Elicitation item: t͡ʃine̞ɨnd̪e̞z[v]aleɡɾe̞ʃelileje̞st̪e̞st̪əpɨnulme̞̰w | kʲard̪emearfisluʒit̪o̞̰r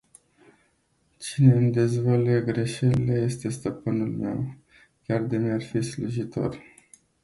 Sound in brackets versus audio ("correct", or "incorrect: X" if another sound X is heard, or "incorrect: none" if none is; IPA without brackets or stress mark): correct